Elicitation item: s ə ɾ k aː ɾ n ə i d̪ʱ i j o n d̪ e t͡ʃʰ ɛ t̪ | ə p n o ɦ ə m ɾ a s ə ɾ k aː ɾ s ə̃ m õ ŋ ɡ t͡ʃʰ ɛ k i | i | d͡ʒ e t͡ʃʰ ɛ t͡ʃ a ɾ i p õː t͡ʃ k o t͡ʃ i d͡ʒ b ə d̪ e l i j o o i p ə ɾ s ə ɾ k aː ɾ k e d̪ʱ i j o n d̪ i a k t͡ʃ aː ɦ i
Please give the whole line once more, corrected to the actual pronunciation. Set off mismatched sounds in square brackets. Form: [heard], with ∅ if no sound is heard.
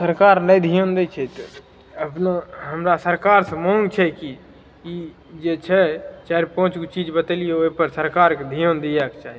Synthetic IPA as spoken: s ə ɾ k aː ɾ n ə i d̪ʱ i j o n d̪ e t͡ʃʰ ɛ t̪ | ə p n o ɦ ə m ɾ a s ə ɾ k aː ɾ s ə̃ m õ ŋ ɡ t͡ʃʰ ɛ k i | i | d͡ʒ e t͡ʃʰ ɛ t͡ʃ a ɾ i p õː t͡ʃ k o t͡ʃ i d͡ʒ b ə [t̪] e l i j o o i p ə ɾ s ə ɾ k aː ɾ k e d̪ʱ i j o n d̪ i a k t͡ʃ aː ɦ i

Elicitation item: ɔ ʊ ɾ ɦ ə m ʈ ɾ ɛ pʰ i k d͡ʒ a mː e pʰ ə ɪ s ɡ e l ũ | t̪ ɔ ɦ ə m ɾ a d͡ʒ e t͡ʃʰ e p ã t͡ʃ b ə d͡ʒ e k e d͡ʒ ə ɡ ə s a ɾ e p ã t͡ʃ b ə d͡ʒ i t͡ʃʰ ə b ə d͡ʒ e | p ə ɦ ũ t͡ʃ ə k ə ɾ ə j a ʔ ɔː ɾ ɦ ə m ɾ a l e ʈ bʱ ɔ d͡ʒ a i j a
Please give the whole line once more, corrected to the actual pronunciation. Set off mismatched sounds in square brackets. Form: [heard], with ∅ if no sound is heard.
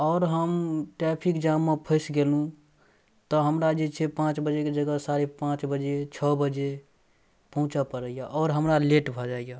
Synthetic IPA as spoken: ɔ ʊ ɾ ɦ ə m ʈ ɾ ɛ pʰ i k d͡ʒ a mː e pʰ ə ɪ s ɡ e l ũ | t̪ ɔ ɦ ə m ɾ a d͡ʒ e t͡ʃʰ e p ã t͡ʃ b ə d͡ʒ e k e d͡ʒ ə ɡ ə s a ɾ e p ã t͡ʃ b ə d͡ʒ [e] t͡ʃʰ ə b ə d͡ʒ e | p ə ɦ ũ t͡ʃ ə [p] ə ɾ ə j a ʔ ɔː ɾ ɦ ə m ɾ a l e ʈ bʱ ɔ d͡ʒ a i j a

